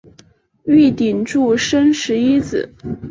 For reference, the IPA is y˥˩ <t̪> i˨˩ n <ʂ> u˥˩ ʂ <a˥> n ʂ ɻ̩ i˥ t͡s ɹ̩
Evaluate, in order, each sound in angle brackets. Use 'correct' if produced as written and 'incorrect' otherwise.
correct, incorrect: ʈ͡ʂ, incorrect: ə˥

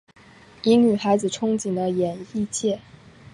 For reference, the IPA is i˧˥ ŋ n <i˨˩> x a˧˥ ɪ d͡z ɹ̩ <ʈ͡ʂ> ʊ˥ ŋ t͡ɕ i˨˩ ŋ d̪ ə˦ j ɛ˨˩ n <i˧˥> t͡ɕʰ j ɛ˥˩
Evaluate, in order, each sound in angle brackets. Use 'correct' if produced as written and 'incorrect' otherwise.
incorrect: y˨˩, incorrect: ʈ͡ʂʰ, incorrect: i˥˧

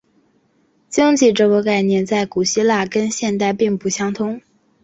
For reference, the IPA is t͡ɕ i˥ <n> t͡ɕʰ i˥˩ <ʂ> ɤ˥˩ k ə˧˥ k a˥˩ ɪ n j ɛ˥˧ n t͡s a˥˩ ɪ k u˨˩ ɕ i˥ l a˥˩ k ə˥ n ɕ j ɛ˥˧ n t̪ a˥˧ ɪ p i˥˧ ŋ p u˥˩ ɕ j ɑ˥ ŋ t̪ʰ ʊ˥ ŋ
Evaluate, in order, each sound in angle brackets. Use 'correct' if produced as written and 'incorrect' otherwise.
incorrect: ŋ, incorrect: ʈ͡ʂ

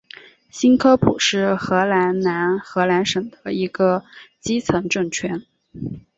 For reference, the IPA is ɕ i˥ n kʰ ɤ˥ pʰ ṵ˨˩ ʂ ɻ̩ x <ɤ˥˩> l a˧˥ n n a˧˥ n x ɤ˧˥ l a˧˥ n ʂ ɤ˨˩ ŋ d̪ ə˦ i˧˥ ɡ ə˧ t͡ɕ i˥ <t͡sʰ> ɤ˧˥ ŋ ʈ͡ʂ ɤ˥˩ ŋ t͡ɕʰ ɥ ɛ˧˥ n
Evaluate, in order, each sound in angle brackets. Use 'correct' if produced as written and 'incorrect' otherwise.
incorrect: ɤ˧˥, correct

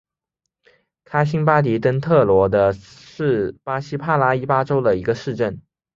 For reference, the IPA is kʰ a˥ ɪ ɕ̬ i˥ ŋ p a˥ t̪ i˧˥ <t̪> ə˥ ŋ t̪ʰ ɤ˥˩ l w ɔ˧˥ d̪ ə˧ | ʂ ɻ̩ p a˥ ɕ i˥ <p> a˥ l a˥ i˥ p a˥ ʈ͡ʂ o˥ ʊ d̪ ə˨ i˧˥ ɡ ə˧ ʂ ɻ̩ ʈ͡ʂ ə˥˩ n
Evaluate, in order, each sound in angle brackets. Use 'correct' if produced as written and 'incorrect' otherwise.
correct, incorrect: pʰ

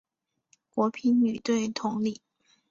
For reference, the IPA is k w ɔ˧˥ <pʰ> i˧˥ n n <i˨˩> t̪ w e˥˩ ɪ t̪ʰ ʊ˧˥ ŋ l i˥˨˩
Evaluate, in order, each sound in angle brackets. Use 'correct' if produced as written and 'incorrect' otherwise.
correct, incorrect: y˨˩

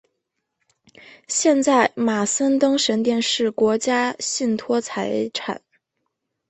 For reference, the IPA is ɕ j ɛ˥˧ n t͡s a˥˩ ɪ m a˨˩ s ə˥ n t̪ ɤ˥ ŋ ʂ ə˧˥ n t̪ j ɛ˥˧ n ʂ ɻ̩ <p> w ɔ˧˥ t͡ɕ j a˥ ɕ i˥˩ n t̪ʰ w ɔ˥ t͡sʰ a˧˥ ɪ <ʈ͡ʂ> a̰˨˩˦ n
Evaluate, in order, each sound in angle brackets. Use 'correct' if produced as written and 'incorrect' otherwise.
incorrect: k, incorrect: ʈ͡ʂʰ

